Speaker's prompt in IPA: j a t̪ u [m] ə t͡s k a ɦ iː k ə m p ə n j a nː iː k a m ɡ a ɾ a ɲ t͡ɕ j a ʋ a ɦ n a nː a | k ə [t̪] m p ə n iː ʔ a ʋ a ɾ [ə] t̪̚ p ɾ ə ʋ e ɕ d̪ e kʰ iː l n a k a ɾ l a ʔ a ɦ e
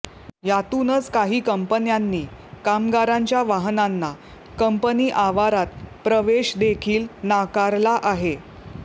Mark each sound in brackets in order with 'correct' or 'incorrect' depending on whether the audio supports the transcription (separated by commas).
incorrect, incorrect, incorrect